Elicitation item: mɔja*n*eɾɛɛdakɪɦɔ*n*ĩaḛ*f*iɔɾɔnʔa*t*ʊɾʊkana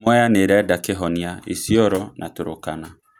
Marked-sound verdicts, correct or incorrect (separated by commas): correct, correct, incorrect, correct